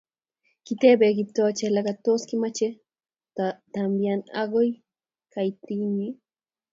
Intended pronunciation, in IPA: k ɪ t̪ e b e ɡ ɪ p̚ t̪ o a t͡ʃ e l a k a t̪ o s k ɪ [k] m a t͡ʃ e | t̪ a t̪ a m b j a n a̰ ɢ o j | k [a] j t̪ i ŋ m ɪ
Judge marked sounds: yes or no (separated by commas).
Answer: no, yes